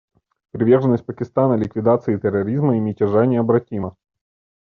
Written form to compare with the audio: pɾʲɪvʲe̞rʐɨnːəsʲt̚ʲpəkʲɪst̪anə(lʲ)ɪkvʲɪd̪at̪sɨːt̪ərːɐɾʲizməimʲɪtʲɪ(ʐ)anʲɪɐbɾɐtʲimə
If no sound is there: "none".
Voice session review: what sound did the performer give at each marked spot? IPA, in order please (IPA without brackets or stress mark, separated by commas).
lʲ, ʐ